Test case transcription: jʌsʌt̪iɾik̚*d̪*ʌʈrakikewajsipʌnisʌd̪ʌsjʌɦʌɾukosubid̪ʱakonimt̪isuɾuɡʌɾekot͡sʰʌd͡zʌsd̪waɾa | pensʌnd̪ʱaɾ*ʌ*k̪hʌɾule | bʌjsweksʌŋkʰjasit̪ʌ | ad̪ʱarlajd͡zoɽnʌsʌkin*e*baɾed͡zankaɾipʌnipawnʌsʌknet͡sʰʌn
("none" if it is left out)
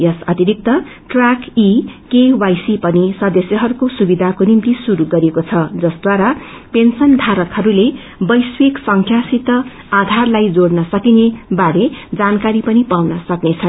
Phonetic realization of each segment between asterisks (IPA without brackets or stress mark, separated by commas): t̪, ʌ, e